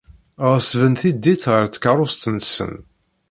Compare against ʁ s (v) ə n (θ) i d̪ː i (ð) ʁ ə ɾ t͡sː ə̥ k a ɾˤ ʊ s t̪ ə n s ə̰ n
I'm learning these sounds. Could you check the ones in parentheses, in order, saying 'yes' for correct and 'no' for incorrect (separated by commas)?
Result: yes, yes, no